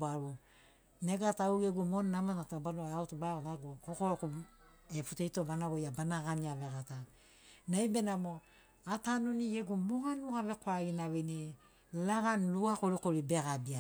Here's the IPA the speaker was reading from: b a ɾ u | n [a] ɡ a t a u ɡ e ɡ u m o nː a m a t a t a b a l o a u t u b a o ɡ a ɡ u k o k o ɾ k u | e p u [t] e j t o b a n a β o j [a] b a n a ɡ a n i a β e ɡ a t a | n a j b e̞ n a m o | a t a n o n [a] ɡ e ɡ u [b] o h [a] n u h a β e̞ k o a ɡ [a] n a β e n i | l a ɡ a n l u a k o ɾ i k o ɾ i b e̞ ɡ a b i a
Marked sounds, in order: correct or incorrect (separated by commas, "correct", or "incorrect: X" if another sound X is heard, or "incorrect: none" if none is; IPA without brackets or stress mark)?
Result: incorrect: e, correct, correct, incorrect: i, incorrect: m, correct, incorrect: i